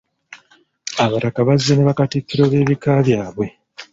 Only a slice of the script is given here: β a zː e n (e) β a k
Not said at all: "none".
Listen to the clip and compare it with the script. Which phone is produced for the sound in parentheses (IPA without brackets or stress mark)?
e